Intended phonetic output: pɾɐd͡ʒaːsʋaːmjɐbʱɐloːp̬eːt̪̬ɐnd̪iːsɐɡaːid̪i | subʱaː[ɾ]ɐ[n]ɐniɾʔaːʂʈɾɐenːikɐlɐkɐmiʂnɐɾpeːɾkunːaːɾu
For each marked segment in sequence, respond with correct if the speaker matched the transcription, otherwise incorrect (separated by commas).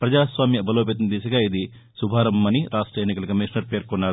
correct, incorrect